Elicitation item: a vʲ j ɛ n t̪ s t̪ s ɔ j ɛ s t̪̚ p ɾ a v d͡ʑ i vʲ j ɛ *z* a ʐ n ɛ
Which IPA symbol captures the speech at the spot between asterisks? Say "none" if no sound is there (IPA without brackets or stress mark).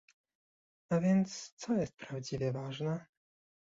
v